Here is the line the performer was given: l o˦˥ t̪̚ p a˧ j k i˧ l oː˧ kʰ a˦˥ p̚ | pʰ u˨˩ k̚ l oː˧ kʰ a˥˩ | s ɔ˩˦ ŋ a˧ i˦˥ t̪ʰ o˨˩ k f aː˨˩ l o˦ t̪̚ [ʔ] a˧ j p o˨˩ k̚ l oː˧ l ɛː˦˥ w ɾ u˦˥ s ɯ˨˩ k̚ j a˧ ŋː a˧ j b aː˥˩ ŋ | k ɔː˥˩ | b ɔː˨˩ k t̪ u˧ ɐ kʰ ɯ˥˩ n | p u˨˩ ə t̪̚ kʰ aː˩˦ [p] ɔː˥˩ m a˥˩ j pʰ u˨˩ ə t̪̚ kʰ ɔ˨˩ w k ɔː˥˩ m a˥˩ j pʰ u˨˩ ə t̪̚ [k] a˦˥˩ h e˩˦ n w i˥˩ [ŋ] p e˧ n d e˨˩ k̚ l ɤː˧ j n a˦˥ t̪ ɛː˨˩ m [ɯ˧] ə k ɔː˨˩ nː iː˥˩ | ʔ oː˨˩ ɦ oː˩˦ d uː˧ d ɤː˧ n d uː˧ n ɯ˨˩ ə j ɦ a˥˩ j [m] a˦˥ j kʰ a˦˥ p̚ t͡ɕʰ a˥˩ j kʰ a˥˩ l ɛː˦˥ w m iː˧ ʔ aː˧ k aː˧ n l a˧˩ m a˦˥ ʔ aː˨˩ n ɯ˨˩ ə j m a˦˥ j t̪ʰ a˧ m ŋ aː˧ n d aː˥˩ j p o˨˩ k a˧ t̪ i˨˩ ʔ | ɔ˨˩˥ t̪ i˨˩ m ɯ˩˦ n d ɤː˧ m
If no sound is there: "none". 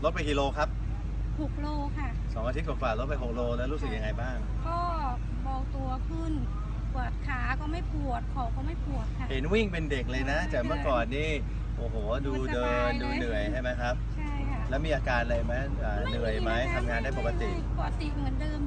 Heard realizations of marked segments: p, k, kʰ, ŋ, ɯ˥˩, m

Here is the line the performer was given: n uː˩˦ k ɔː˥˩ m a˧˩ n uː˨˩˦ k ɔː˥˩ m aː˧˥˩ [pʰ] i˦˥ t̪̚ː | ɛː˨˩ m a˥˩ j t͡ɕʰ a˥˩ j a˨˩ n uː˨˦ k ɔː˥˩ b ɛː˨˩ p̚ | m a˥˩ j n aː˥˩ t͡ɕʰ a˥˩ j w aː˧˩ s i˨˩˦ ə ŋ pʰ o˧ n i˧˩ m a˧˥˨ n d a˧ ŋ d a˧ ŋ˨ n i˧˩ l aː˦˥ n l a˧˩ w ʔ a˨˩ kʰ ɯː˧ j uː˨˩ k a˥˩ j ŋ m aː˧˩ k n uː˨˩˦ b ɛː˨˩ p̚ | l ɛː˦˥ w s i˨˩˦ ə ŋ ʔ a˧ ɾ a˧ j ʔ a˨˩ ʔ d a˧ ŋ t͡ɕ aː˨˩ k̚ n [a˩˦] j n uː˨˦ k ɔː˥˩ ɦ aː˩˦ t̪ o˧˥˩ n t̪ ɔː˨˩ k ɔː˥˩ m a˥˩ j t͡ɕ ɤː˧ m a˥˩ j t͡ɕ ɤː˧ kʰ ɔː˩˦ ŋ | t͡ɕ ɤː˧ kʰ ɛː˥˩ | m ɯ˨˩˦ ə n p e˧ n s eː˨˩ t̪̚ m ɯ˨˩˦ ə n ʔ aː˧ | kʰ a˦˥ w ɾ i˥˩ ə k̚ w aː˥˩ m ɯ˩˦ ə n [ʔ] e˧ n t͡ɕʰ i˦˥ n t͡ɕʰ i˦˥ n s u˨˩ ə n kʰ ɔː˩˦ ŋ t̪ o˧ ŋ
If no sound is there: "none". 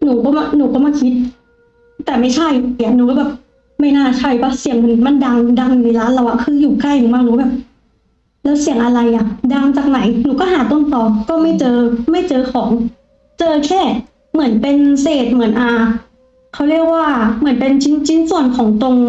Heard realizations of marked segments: kʰ, a˩˦, p

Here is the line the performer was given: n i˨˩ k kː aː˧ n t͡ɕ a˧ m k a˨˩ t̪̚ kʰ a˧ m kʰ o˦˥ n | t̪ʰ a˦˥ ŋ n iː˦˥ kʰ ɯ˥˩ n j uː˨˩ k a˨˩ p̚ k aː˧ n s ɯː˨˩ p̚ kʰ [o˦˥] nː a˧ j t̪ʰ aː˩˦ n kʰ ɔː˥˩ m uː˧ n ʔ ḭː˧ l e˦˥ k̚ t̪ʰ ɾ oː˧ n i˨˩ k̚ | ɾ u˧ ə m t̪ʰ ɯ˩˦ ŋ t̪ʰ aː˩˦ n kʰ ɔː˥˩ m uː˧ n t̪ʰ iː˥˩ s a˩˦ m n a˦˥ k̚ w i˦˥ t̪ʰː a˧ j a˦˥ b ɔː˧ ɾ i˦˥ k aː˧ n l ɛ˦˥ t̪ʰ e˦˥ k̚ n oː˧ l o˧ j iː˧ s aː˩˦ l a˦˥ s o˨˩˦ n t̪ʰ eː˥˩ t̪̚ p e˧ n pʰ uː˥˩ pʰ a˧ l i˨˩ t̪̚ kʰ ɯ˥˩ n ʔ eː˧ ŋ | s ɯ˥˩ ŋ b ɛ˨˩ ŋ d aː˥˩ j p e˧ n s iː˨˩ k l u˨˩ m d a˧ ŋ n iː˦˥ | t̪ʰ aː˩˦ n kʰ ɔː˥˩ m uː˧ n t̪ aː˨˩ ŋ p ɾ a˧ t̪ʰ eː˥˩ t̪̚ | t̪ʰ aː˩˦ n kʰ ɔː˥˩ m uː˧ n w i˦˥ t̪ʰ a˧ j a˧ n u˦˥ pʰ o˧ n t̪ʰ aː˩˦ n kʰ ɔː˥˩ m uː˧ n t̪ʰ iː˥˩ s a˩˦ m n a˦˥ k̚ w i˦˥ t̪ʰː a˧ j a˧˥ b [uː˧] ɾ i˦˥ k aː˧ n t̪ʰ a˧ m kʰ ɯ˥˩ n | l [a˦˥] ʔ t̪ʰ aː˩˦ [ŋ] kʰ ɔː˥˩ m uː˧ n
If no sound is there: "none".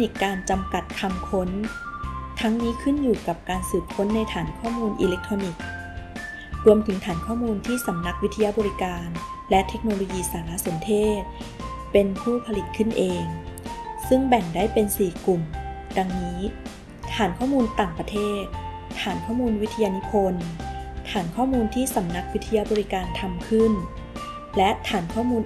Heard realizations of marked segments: o˦˥, ɔː˧, ɛ˦˥, n

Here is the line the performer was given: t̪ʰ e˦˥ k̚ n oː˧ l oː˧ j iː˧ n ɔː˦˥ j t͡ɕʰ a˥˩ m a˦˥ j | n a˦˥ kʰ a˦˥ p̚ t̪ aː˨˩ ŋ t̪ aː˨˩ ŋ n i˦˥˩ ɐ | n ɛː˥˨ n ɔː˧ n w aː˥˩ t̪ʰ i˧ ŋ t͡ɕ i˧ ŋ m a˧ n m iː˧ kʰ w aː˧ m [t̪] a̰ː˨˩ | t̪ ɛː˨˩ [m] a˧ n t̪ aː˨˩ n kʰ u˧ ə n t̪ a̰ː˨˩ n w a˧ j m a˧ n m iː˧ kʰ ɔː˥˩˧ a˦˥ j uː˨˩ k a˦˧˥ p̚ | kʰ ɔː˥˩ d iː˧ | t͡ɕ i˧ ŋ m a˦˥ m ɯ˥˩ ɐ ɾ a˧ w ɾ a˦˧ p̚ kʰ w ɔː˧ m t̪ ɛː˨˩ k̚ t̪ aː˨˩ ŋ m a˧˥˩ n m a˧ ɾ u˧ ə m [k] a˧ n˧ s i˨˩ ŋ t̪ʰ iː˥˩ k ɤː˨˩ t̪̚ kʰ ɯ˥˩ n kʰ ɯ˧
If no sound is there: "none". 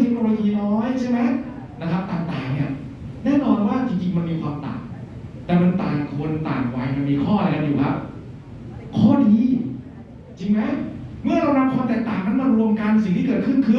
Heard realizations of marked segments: t̪, m, k

